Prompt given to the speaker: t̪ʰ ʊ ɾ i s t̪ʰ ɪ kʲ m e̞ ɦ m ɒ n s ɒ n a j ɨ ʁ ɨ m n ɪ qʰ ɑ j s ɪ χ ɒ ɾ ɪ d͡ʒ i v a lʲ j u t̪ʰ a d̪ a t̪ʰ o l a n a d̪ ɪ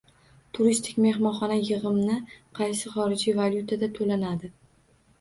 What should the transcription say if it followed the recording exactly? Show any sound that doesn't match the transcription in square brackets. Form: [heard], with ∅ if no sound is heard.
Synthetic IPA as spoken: t̪ʰ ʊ ɾ i s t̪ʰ ɪ kʲ m e̞ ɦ m ɒ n [χ] ɒ n a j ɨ ʁ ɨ m n ɪ qʰ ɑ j s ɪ χ ɒ ɾ ɪ d͡ʒ i v a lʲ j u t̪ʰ a d̪ a t̪ʰ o l a n a d̪ ɪ